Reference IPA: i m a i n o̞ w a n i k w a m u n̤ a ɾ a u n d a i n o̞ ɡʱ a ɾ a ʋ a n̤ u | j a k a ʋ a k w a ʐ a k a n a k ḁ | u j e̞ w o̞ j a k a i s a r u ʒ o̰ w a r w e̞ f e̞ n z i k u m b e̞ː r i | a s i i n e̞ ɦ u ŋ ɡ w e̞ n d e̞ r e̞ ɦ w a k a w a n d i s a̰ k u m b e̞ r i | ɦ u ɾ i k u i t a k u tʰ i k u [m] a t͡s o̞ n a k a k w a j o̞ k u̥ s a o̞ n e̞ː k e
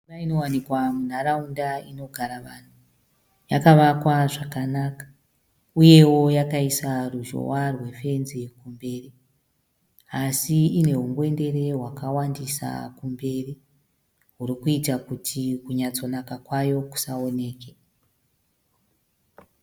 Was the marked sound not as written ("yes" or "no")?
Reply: yes